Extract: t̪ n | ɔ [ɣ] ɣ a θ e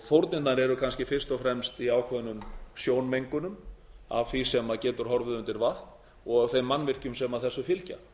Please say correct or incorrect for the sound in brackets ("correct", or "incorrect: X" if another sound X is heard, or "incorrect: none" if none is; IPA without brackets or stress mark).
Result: correct